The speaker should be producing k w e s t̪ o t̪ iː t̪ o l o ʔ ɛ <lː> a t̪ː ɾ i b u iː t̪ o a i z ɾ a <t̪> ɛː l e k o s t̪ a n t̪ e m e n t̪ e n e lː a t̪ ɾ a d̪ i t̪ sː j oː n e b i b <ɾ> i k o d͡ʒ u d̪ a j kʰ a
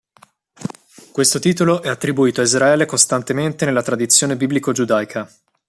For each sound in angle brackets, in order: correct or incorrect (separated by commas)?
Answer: incorrect, incorrect, incorrect